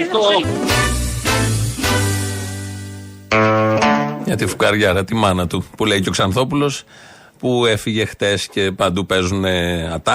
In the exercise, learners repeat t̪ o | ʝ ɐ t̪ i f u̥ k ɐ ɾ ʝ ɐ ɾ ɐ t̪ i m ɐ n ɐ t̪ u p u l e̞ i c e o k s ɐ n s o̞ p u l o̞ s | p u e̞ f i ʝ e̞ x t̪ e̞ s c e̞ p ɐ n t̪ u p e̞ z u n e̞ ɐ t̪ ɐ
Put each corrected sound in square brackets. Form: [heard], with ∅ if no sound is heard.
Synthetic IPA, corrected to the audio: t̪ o | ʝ ɐ t̪ i f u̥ k ɐ ɾ ʝ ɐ ɾ ɐ t̪ i m ɐ n ɐ t̪ u p u l e̞ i c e o k s ɐ n [θ] o̞ p u l o̞ s | p u e̞ f i ʝ e̞ x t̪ e̞ s c e̞ p ɐ n [d̪] u p e̞ z u n e̞ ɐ t̪ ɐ